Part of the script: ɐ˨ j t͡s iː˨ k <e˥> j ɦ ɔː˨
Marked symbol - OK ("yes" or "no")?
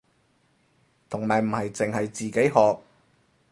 no